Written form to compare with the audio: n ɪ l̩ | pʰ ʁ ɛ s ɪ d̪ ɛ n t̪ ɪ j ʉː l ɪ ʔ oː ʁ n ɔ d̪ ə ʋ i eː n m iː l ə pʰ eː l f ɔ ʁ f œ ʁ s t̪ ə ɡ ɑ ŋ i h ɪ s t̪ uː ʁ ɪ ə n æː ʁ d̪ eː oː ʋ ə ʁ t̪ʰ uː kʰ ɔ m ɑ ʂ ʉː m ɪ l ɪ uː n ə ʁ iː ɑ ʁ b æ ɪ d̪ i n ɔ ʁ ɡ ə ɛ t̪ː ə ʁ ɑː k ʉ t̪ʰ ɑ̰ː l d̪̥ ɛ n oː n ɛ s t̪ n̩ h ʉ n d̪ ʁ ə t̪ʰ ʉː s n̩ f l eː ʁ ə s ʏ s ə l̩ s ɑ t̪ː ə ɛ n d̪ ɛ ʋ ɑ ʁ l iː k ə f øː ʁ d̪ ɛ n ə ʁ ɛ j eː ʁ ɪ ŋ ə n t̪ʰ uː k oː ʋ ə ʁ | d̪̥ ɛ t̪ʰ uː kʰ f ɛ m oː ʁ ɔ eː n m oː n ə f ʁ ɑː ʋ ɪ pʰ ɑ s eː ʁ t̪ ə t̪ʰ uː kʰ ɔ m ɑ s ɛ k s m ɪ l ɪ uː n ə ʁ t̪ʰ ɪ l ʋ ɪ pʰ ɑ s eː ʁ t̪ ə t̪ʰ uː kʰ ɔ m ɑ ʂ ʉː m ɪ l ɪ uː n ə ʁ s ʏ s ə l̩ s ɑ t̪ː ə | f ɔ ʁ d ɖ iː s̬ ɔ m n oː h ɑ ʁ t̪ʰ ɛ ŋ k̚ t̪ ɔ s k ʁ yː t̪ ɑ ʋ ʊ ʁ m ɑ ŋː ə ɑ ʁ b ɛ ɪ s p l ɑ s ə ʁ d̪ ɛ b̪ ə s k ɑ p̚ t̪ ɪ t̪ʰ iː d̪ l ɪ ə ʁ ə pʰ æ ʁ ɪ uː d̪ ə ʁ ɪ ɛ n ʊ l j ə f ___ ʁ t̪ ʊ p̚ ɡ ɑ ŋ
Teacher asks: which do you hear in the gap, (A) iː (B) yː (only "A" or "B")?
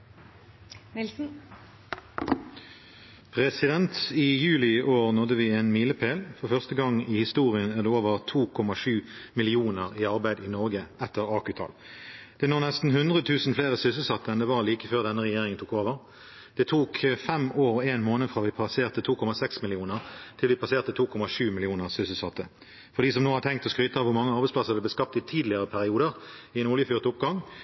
B